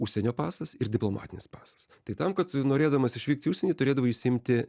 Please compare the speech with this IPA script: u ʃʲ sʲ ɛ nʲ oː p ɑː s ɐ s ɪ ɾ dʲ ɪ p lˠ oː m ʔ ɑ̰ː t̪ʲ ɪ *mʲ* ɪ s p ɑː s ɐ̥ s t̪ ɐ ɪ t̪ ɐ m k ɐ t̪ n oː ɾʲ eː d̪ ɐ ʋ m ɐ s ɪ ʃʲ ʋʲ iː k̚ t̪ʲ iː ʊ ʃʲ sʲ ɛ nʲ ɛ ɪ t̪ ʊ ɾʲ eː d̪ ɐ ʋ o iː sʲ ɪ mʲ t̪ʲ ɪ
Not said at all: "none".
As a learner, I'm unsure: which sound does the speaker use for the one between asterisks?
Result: nʲ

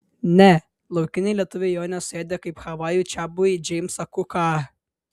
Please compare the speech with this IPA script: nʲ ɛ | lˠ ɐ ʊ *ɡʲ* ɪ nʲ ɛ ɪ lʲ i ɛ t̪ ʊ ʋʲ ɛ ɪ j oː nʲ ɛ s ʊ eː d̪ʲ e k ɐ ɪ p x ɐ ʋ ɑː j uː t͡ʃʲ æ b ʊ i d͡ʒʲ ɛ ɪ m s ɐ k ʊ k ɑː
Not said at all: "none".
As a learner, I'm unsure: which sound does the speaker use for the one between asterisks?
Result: kʲ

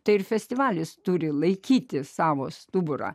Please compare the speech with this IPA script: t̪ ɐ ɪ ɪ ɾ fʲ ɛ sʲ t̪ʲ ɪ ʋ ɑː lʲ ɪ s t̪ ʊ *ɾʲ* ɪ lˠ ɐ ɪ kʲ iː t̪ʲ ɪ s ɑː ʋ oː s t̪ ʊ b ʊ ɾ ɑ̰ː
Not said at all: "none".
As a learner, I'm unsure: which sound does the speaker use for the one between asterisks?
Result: ɾʲ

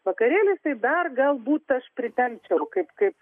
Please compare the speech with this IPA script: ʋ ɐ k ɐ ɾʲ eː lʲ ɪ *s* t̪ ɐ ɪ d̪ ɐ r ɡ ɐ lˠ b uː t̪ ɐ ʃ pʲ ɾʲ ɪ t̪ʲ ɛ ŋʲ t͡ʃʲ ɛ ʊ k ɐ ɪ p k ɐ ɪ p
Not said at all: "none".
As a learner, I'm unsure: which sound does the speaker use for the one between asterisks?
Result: s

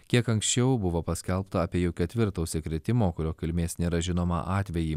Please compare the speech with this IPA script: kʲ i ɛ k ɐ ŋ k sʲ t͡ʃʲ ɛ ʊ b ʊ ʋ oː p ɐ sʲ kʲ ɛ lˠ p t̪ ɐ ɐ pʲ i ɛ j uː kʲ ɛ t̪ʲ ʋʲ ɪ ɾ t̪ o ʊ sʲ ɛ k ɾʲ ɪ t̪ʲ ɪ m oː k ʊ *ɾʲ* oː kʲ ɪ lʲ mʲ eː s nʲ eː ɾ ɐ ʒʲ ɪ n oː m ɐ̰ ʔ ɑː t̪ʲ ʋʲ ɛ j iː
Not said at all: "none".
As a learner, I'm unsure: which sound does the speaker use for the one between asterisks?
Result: ɾʲ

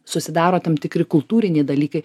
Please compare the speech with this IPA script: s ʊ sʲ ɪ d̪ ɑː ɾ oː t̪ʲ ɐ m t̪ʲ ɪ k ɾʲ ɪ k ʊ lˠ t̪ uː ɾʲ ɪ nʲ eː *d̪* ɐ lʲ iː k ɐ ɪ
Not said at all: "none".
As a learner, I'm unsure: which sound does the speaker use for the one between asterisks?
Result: d̪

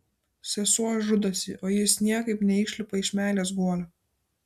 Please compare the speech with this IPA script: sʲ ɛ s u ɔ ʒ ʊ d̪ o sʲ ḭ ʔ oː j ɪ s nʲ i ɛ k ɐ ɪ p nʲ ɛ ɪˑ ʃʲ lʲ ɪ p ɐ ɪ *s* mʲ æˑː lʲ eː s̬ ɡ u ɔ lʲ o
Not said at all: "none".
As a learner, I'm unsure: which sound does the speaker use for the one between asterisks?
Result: ʃ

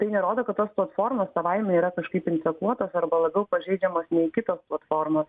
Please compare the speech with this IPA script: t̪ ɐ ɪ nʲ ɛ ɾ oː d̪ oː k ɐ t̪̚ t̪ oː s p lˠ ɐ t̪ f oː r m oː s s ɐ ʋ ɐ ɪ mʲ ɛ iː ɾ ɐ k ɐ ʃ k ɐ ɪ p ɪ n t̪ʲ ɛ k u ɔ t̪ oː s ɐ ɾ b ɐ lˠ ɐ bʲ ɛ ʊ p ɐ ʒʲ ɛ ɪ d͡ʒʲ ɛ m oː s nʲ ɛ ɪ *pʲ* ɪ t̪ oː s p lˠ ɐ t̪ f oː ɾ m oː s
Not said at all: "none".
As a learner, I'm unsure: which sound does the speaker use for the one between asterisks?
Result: kʲ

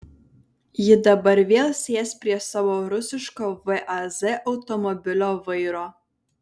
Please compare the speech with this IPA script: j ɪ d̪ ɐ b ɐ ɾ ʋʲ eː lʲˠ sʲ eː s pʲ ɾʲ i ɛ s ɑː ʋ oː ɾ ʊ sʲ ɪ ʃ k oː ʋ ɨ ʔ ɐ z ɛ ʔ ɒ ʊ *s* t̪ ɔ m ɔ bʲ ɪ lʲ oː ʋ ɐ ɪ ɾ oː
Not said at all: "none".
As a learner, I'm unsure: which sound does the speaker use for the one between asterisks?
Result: none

